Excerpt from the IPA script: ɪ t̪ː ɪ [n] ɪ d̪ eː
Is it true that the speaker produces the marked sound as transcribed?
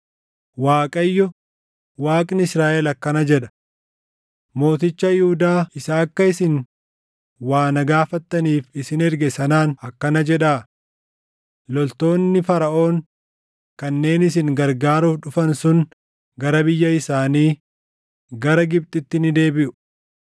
yes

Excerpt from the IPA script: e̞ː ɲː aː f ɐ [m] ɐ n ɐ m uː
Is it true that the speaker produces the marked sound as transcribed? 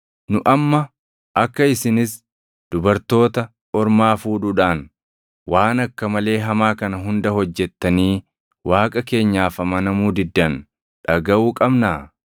yes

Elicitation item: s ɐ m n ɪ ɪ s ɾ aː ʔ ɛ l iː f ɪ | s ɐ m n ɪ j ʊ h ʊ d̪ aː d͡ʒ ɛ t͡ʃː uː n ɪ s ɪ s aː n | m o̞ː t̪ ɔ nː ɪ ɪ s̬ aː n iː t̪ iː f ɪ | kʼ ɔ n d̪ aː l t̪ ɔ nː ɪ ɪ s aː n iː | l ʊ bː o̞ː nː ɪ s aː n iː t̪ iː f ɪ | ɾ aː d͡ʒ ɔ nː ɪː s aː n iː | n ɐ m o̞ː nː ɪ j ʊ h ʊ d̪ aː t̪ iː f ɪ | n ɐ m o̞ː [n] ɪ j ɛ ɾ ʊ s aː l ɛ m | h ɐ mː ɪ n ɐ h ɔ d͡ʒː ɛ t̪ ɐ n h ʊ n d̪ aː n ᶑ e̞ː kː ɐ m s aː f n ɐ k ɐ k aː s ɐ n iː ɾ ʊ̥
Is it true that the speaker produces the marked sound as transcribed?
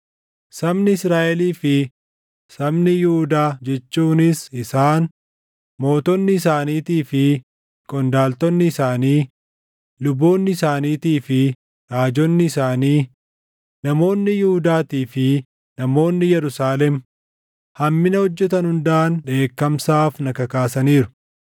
no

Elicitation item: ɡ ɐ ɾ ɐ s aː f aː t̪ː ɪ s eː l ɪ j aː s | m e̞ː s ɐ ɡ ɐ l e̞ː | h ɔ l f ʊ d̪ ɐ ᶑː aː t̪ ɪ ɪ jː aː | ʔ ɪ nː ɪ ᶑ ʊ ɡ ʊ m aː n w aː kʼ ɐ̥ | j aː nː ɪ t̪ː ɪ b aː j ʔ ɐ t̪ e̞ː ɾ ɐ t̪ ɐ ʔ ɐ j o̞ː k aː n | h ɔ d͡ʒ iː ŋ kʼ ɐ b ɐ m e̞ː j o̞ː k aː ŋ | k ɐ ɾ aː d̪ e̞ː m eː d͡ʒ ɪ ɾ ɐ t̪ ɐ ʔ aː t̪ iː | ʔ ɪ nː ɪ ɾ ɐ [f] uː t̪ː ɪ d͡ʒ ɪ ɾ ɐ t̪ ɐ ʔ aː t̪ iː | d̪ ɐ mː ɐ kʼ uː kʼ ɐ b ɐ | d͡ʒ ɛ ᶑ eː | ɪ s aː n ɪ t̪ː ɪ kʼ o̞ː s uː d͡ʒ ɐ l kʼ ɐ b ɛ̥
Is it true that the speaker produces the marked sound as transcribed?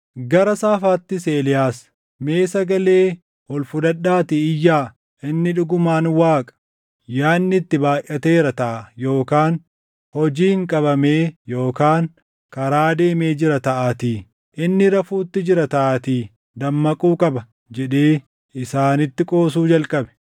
yes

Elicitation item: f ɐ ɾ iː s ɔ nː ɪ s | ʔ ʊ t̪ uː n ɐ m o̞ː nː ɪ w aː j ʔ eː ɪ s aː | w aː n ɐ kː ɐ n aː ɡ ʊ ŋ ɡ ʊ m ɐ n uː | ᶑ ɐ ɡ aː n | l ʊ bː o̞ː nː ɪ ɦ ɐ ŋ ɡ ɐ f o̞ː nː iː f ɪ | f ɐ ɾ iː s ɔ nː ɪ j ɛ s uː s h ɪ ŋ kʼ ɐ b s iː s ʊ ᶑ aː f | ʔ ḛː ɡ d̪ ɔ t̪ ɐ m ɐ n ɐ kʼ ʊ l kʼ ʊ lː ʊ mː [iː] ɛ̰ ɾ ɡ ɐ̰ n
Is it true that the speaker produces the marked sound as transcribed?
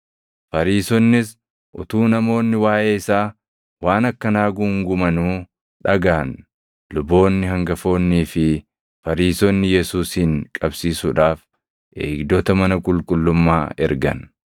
no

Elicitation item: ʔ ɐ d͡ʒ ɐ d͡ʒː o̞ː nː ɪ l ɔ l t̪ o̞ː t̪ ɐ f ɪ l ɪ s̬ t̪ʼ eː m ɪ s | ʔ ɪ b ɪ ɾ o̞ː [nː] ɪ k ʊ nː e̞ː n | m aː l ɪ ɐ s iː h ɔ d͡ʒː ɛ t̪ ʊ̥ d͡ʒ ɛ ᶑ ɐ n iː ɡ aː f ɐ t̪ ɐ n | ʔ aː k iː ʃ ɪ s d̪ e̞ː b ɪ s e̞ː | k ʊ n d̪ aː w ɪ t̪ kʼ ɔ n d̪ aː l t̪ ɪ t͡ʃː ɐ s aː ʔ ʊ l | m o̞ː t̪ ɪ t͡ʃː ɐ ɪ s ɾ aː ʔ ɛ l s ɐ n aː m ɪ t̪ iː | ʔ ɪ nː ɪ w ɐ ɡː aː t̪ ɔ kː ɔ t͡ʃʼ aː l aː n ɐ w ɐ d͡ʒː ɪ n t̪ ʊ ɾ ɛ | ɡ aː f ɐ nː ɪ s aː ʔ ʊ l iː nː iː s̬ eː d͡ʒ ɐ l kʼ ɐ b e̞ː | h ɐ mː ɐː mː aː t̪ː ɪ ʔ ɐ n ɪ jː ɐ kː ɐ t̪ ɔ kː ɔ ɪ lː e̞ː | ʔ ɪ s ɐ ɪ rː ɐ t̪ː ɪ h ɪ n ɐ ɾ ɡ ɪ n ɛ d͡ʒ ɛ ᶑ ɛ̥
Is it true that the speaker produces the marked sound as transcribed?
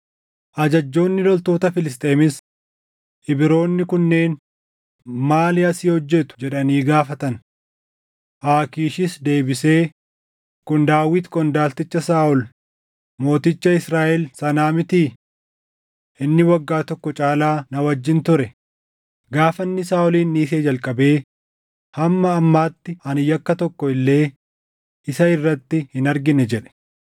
yes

